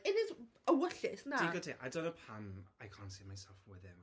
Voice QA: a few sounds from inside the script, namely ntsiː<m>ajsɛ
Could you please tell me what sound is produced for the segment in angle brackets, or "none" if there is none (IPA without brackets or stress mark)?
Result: m